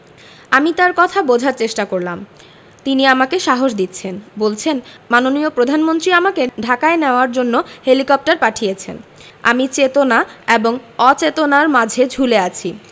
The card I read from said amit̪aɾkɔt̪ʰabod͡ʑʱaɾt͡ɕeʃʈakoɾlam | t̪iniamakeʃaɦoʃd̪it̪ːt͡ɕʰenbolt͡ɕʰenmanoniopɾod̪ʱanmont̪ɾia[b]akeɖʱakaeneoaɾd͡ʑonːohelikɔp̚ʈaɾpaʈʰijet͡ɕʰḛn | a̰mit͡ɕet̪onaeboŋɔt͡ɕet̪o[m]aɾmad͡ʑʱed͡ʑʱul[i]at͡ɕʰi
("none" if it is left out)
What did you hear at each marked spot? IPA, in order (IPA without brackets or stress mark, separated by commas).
m, n, e